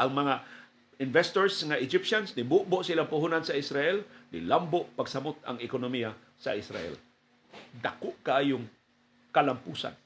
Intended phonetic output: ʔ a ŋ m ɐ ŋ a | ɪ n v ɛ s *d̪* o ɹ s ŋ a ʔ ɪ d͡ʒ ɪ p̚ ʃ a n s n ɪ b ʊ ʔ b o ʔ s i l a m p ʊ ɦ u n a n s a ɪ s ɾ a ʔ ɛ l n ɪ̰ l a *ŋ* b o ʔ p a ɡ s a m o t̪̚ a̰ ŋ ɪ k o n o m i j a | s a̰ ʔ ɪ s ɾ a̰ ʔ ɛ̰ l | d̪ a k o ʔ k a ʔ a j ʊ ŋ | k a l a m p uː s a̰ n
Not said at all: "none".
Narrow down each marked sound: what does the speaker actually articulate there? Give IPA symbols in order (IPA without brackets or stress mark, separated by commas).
t̪, m